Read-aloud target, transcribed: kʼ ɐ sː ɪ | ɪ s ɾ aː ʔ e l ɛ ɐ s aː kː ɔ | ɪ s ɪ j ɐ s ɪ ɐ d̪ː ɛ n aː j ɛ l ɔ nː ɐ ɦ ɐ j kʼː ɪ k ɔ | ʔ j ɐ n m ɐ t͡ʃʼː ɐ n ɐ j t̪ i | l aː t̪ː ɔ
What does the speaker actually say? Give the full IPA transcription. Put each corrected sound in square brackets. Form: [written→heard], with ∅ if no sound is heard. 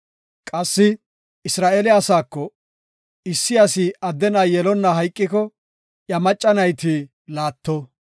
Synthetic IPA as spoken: kʼ ɐ sː ɪ | ɪ s ɾ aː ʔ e l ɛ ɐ s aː kː ɔ | ɪ [s→sː] ɪ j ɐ s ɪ ɐ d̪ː ɛ n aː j ɛ l ɔ nː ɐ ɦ ɐ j kʼː ɪ k ɔ | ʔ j ɐ [n→∅] m ɐ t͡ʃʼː ɐ n ɐ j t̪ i | l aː t̪ː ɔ

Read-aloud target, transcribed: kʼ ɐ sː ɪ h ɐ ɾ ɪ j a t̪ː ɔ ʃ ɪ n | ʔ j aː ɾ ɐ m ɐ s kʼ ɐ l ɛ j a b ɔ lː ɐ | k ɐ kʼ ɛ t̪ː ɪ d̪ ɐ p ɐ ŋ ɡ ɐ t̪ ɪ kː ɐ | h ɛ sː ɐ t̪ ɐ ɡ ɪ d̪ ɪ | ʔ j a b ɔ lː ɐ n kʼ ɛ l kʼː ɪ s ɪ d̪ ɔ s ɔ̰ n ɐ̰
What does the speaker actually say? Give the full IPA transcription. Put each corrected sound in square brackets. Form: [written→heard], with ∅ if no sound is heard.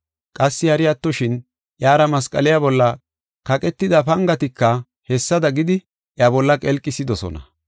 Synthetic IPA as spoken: kʼ ɐ sː ɪ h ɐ ɾ ɪ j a t̪ː ɔ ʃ ɪ n | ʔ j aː ɾ ɐ m ɐ s kʼ ɐ l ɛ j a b ɔ lː ɐ | k ɐ kʼ ɛ t̪ː ɪ d̪ ɐ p ɐ ŋ ɡ ɐ t̪ ɪ kː ɐ | h ɛ sː ɐ [t̪→d̪] ɐ ɡ ɪ d̪ ɪ | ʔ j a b ɔ lː ɐ [n→∅] kʼ ɛ l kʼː ɪ s ɪ d̪ ɔ s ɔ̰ n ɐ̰

